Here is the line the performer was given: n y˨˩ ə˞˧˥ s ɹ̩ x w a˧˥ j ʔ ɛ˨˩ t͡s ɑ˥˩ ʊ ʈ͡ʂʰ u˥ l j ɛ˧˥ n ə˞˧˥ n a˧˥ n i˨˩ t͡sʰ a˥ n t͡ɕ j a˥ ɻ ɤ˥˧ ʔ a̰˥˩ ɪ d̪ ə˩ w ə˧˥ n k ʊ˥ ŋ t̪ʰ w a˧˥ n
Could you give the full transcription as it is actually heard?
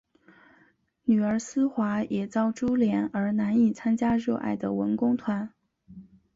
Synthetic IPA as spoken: n y˨˩ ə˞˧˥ s ɹ̩ x w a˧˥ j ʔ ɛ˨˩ t͡s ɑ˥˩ ʊ ʈ͡ʂ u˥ l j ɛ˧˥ n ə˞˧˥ n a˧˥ n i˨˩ t͡sʰ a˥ n t͡ɕ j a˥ ɻ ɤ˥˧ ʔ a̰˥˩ ɪ d̪ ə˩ w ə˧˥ n k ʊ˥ ŋ t̪ʰ w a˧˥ n

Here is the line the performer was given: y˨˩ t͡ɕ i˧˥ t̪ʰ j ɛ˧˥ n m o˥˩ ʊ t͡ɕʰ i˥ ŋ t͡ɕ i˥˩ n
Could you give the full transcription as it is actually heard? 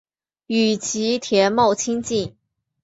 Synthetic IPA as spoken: y˨˩ t͡ɕʰ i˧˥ t̪ʰ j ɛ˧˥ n m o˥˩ ʊ t͡ɕʰ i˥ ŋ t͡ɕ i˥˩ n

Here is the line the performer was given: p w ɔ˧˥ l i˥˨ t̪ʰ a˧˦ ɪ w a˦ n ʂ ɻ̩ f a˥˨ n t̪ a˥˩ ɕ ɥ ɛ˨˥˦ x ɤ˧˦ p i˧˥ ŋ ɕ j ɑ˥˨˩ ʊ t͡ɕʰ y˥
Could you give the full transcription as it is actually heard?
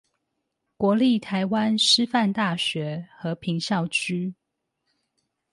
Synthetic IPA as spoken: k w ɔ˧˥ l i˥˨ t̪ʰ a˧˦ ɪ w a˦ n ʂ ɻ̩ f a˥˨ n t̪ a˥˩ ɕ ɥ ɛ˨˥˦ x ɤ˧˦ pʰ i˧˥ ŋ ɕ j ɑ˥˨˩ ʊ t͡ɕʰ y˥

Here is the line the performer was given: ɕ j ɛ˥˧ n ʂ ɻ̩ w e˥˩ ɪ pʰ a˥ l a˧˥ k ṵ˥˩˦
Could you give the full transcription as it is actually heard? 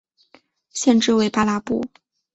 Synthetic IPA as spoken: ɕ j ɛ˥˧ n ʈ͡ʂ ɻ̩ w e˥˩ ɪ p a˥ l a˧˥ p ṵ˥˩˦

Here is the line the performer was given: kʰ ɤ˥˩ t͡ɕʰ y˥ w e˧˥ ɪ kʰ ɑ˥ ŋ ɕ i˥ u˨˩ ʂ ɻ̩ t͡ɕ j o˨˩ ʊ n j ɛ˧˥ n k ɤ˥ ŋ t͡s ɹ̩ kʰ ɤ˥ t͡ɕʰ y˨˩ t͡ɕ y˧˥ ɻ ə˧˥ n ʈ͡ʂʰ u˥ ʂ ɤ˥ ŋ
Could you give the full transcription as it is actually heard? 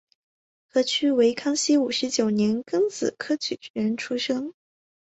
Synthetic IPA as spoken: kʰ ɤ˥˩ t͡ɕʰ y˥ w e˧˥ ɪ kʰ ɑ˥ ŋ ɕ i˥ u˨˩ ʂ ɻ̩ t͡ɕ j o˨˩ ʊ n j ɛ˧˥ n k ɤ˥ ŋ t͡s ɹ̩ kʰ ɤ˥ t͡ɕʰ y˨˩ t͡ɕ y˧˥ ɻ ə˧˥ n ʈ͡ʂʰ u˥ ʂ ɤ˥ ŋ

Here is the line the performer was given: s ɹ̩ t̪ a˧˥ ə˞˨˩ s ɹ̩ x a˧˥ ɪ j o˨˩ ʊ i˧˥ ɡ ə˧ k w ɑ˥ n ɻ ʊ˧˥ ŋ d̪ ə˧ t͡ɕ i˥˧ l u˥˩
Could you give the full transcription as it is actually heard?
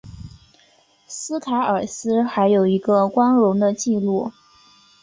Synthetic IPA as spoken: s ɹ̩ t̪ʰ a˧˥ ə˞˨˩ s ɹ̩ x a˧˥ ɪ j o˨˩ ʊ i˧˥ ɡ ə˧ k w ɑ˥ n ɻ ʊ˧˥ ŋ d̪ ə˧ t͡ɕ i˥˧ l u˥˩

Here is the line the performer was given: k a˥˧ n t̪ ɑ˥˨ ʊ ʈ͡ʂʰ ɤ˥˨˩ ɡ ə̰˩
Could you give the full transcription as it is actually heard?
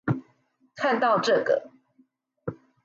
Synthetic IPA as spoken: kʰ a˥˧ n t̪ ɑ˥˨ ʊ ʈ͡ʂ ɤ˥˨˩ ɡ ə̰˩

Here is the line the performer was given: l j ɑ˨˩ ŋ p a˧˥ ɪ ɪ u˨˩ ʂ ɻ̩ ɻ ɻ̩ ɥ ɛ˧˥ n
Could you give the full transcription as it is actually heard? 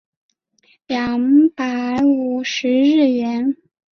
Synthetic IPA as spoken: l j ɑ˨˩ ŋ p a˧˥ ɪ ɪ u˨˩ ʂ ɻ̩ ɻ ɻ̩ ɥ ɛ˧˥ n

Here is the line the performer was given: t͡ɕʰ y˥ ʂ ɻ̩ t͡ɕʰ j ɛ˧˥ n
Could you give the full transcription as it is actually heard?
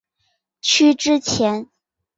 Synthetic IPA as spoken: t͡ɕʰ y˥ ʈ͡ʂ ɻ̩ t͡ɕʰ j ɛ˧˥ n

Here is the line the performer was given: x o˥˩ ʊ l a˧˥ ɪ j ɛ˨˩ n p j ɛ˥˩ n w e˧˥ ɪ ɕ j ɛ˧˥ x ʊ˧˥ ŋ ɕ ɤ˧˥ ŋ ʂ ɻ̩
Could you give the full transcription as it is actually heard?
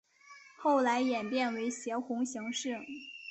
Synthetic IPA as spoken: x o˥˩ ʊ l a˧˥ ɪ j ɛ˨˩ n p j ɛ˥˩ n w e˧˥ ɪ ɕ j ɛ˧˥ x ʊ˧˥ ŋ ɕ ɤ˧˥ ŋ ʂ ɻ̩

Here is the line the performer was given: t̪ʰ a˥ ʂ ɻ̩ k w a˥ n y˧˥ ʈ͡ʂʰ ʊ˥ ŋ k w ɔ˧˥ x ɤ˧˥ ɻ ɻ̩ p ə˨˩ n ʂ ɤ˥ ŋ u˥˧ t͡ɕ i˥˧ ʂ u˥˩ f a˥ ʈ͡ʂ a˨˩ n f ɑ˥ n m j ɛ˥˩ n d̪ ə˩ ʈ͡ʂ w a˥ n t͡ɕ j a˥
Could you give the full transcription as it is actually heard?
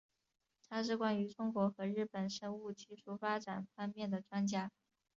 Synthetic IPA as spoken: t̪ʰ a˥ ʂ ɻ̩ k w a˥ n y˧˥ ʈ͡ʂ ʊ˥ ŋ k w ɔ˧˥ x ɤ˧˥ ɻ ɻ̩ p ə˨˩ n ʂ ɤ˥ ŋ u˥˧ t͡ɕ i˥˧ ʂ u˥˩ f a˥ ʈ͡ʂ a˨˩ n f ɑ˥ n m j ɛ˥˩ n d̪ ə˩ ʈ͡ʂ w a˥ n t͡ɕ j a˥

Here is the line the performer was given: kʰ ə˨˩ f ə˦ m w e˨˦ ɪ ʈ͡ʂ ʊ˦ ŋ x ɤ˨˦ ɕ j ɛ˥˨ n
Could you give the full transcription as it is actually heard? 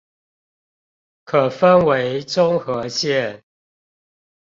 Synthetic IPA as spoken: kʰ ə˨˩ f ə˦ n w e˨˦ ɪ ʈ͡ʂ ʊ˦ ŋ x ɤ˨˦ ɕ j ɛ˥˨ n

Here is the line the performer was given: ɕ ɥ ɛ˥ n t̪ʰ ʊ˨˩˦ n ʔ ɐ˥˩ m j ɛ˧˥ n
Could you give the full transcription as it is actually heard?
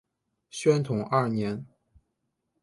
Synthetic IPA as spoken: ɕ ɥ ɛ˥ n t̪ʰ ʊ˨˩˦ ŋ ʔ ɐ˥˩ n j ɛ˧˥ n

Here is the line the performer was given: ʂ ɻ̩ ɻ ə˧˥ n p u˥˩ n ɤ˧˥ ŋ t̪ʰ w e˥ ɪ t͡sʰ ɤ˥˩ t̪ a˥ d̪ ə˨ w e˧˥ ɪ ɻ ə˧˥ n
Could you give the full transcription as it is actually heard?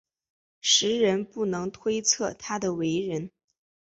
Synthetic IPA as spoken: ʂ ɻ̩ ɻ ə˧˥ n p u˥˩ n ɤ˧˥ ŋ t̪ʰ w e˥ ɪ t͡sʰ ɤ˥˩ t̪ʰ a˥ d̪ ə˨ w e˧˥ ɪ ɻ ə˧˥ n

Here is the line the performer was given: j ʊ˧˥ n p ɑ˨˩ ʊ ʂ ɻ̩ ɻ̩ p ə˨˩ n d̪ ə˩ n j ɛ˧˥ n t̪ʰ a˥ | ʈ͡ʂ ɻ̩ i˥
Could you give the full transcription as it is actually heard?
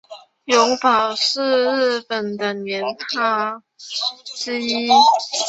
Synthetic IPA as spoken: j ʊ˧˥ ŋ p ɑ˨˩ ʊ ʂ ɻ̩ ɻ̩ p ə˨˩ n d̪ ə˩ n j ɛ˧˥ n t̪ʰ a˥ | ʈ͡ʂ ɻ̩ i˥

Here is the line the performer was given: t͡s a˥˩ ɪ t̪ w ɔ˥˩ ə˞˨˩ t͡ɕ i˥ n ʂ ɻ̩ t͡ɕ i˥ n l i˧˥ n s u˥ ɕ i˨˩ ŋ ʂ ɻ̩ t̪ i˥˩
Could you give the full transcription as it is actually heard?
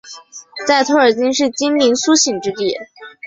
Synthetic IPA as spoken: t͡s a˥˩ ɪ t̪ʰ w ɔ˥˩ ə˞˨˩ t͡ɕ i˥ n ʂ ɻ̩ t͡ɕ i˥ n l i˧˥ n s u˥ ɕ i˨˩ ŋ ʈ͡ʂ ɻ̩ t̪ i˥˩

